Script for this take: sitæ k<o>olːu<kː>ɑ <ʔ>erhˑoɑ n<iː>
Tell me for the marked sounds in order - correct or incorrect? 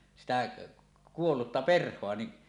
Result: incorrect, incorrect, incorrect, incorrect

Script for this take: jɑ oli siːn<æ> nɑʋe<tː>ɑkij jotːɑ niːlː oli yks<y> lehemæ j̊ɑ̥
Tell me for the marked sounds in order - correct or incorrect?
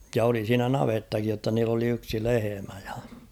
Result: correct, correct, incorrect

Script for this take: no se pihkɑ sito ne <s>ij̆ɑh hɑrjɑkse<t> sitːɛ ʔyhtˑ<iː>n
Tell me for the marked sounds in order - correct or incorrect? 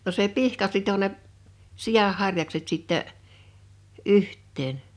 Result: correct, correct, incorrect

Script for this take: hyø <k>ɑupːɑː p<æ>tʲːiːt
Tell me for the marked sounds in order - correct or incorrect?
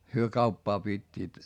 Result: correct, incorrect

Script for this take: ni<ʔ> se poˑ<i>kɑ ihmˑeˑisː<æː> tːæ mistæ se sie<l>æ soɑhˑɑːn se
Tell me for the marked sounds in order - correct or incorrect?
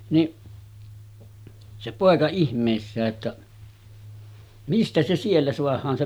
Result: correct, incorrect, correct, incorrect

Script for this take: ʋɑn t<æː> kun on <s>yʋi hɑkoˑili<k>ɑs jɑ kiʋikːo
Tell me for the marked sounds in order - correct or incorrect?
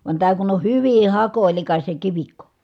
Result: correct, incorrect, correct

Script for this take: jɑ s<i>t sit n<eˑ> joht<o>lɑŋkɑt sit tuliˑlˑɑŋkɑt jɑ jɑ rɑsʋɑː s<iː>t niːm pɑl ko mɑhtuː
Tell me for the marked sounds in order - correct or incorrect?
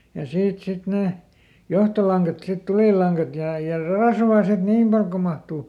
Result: incorrect, correct, correct, incorrect

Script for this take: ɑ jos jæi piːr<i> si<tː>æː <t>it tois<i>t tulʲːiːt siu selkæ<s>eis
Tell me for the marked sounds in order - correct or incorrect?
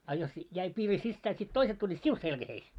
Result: correct, incorrect, incorrect, incorrect, incorrect

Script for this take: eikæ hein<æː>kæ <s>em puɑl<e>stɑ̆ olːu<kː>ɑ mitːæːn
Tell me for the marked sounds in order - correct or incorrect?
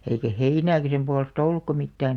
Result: correct, correct, correct, correct

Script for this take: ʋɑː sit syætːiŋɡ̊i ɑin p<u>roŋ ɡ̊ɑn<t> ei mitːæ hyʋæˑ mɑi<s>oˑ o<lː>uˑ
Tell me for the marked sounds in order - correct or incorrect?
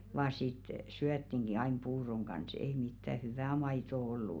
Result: incorrect, incorrect, incorrect, correct

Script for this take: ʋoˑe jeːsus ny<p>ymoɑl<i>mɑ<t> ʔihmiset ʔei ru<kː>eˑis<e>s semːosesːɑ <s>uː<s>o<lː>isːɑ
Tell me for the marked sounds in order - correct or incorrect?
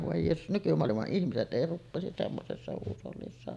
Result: incorrect, correct, incorrect, incorrect, incorrect, incorrect, correct, correct

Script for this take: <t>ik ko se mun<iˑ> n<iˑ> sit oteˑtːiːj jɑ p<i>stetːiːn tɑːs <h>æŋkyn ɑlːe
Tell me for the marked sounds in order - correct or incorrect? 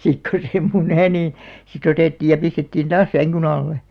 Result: incorrect, incorrect, correct, correct, incorrect

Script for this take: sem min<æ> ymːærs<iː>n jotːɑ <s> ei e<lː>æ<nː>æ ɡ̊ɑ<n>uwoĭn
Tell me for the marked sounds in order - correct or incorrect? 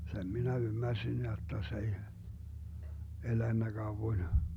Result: correct, incorrect, correct, incorrect, correct, incorrect

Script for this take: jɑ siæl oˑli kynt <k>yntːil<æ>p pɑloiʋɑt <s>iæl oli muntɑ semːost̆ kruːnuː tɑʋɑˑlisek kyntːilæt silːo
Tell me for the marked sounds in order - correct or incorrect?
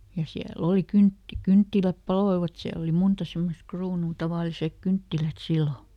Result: correct, correct, correct

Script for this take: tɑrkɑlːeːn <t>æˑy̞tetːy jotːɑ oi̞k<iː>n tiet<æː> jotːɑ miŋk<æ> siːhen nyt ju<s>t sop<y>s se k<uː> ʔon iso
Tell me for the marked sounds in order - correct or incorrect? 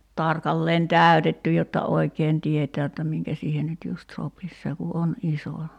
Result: correct, incorrect, correct, correct, correct, incorrect, incorrect

